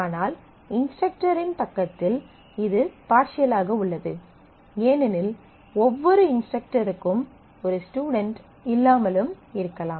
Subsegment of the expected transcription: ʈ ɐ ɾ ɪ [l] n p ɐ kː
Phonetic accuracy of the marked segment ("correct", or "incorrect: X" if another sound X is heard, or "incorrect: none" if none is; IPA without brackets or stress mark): incorrect: none